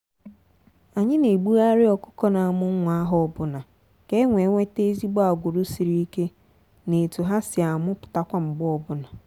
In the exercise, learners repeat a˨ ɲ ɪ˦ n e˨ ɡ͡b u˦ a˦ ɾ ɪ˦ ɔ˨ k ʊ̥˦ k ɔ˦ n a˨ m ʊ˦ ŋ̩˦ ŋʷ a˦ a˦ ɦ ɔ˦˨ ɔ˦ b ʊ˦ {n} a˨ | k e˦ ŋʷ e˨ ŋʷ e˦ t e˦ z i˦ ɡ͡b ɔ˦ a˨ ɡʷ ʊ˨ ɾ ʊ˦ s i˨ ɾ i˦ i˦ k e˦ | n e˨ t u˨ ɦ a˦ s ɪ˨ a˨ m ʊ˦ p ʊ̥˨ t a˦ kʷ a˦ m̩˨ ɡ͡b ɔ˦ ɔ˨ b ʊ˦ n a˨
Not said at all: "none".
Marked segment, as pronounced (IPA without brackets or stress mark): n